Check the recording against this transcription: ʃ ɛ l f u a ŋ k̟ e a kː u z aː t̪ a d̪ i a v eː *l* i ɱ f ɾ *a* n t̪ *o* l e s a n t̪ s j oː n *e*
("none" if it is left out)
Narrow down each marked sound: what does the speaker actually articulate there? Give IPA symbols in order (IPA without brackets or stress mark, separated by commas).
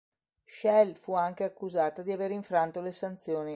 ɾ, a, o, i